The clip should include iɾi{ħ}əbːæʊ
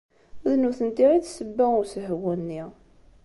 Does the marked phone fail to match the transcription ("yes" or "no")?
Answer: yes